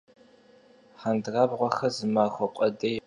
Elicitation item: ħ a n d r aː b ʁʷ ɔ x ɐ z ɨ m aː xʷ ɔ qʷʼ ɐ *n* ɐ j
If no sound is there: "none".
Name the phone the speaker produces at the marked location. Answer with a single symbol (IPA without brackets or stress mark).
d